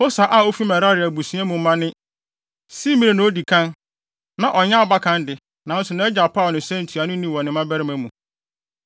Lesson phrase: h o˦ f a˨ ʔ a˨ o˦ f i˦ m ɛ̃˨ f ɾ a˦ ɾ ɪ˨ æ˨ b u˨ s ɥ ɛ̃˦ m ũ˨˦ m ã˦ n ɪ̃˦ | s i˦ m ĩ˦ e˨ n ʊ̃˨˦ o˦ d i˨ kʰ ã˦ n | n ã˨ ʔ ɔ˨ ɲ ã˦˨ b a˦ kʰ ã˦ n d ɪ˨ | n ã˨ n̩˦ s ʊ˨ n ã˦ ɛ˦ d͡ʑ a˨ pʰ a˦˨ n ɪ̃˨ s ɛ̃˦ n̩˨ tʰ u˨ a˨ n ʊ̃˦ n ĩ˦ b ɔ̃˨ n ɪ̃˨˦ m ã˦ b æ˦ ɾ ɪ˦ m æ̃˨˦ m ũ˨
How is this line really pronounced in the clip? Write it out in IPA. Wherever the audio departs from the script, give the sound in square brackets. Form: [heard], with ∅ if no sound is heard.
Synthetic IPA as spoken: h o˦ [s] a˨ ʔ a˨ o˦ f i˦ m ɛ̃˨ [∅] ɾ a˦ ɾ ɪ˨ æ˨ b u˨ s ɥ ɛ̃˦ m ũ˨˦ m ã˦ n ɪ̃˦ | s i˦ m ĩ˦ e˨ n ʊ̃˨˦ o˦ d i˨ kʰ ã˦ n | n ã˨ ʔ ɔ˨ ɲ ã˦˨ b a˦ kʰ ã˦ n d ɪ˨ | n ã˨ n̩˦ s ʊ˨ n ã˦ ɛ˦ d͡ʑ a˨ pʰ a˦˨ n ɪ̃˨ s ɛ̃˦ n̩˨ tʰ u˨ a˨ n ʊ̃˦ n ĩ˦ [w] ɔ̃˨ n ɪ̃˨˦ m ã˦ b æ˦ ɾ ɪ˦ m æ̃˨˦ m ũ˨